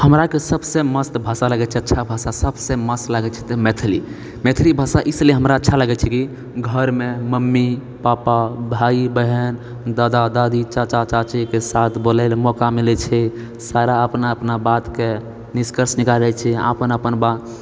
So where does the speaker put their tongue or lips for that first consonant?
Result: throat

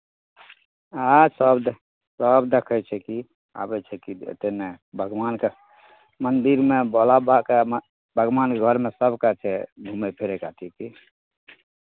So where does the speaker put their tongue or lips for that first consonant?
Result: tongue tip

